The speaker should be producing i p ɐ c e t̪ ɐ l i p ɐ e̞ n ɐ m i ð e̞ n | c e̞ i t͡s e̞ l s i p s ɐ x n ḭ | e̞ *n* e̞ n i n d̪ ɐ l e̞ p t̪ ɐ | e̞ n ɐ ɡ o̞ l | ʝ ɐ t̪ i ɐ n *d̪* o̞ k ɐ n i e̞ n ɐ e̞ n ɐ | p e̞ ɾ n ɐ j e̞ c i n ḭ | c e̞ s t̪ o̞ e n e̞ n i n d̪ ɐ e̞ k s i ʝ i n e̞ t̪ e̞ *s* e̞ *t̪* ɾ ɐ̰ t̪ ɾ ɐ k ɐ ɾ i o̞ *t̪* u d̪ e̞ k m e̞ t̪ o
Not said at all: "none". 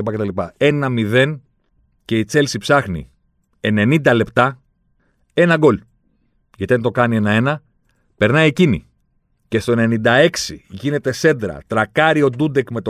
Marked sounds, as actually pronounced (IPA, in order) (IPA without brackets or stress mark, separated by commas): n, t̪, s, d̪, d̪